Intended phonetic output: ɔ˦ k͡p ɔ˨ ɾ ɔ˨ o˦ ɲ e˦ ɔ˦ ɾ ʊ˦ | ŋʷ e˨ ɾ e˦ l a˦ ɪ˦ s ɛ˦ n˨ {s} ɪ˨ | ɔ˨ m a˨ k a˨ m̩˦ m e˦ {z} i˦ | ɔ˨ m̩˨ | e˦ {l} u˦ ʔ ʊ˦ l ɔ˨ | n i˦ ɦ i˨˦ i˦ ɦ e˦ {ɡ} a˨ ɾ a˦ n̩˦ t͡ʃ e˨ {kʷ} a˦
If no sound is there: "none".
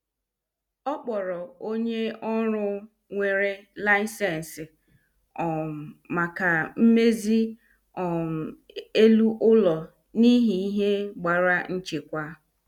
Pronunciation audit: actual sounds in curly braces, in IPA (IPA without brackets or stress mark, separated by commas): s, z, l, ɡ͡b, kʷ